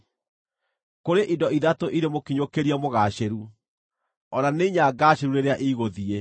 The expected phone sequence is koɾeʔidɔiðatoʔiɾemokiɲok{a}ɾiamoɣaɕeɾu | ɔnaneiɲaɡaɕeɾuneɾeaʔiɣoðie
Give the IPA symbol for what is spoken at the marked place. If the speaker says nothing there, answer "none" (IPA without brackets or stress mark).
e